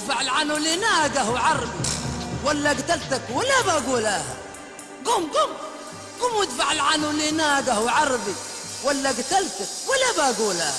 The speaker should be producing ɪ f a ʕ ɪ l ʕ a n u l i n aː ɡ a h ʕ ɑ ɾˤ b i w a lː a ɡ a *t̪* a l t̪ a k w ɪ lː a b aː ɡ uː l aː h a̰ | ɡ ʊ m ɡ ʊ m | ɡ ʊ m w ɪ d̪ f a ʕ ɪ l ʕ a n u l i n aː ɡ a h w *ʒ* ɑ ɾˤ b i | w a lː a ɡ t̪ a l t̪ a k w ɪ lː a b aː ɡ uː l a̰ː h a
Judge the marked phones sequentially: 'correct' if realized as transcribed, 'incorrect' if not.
correct, incorrect

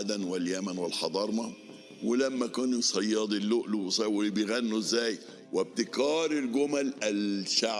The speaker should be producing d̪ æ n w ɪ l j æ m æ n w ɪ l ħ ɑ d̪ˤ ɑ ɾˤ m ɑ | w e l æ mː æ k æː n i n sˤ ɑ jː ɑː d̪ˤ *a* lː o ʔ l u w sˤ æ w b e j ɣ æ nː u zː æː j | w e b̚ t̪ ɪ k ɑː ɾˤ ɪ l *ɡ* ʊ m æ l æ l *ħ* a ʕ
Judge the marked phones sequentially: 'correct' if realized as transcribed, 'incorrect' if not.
incorrect, correct, incorrect

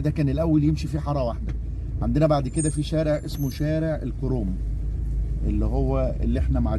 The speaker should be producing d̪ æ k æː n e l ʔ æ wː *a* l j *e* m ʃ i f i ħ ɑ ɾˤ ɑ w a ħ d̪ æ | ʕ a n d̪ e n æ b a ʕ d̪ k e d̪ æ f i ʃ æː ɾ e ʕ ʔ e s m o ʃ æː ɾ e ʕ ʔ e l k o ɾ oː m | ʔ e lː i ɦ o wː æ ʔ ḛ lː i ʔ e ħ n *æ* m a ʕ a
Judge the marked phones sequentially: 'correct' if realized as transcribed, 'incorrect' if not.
incorrect, correct, correct

